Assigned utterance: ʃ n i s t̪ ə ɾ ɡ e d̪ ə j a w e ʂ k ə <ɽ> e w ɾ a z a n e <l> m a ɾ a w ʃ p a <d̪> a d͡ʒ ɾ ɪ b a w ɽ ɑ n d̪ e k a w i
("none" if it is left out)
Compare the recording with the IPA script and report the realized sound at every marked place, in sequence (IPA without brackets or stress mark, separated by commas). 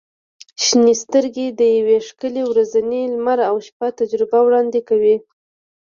l, l, t̪